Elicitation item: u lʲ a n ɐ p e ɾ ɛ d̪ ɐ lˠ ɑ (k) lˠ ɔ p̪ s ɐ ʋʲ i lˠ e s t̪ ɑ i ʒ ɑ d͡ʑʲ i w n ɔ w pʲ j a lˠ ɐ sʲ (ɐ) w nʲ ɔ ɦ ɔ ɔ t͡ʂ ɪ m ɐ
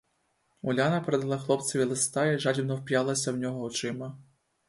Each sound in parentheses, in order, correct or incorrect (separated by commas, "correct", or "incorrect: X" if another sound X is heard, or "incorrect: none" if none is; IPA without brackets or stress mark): incorrect: x, correct